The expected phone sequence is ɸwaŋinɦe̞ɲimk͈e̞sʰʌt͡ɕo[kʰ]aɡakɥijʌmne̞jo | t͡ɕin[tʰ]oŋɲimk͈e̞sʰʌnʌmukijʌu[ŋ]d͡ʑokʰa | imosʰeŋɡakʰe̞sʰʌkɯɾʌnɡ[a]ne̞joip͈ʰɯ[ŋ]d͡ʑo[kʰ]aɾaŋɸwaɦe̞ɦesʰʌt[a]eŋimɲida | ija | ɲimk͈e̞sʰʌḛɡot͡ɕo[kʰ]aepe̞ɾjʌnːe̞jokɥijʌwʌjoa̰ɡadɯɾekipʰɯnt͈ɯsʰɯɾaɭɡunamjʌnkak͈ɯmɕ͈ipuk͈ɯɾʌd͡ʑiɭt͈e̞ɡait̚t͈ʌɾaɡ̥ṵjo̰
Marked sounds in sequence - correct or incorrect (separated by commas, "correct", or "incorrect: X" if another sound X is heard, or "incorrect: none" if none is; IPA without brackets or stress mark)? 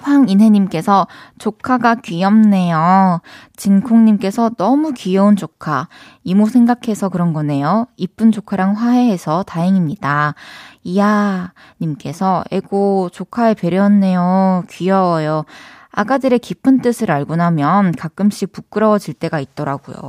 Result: correct, incorrect: kʰ, incorrect: n, incorrect: ʌ, incorrect: n, correct, correct, correct